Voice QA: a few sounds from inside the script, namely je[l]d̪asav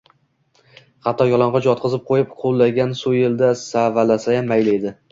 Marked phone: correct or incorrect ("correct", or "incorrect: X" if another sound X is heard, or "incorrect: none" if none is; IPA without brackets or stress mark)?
correct